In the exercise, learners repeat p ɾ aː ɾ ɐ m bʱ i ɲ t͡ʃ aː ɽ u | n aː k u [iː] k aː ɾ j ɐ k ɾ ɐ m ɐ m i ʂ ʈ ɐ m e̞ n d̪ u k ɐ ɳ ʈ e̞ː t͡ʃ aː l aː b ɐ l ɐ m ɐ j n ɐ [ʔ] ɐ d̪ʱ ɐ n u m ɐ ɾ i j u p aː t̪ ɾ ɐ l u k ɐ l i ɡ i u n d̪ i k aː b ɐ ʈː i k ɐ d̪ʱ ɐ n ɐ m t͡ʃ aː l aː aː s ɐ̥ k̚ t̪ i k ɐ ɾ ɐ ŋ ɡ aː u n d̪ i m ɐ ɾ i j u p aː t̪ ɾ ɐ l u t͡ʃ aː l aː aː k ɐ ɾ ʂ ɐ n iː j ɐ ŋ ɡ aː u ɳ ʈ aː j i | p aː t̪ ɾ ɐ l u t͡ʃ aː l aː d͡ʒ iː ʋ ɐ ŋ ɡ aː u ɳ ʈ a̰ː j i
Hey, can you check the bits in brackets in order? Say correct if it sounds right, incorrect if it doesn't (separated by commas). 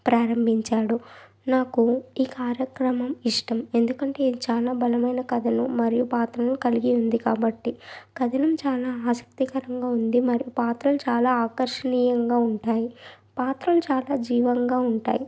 correct, incorrect